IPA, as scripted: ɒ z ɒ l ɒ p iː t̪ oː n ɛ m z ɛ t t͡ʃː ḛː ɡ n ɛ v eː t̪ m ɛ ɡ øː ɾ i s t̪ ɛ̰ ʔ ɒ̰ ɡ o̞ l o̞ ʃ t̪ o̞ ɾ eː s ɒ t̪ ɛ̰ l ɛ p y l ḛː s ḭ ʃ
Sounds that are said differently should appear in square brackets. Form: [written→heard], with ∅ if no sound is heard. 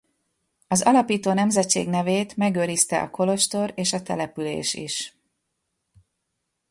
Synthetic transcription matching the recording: ɒ z ɒ l ɒ p iː t̪ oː n ɛ m z ɛ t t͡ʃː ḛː ɡ n ɛ v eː t̪ m ɛ ɡ øː ɾ i s t̪ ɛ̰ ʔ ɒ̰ [ɡ→k] o̞ l o̞ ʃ t̪ o̞ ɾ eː [s→ʃ] ɒ t̪ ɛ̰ l ɛ p y l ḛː [s→ʃ] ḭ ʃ